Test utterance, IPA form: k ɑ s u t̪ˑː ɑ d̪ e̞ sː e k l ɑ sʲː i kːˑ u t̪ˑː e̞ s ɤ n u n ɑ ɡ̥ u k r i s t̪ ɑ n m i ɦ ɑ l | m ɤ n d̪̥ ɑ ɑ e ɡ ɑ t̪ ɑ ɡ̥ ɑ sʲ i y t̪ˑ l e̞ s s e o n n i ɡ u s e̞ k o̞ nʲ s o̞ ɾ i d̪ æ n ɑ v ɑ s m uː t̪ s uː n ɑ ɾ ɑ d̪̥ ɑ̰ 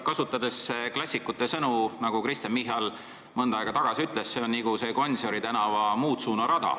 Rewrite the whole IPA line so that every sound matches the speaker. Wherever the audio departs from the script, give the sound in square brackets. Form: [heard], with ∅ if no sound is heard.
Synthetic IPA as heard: k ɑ s u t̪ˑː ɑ d̪ e̞ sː e k l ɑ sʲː i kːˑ u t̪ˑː e̞ s ɤ n u n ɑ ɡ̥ u k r i s t̪ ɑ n m i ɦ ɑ l | m ɤ n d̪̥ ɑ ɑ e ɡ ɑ t̪ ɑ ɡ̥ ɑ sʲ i y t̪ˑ l e̞ s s e o n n i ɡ u s e̞ k o̞ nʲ s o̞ ɾ i [t̪] æ n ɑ v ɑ [∅] m uː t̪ s uː n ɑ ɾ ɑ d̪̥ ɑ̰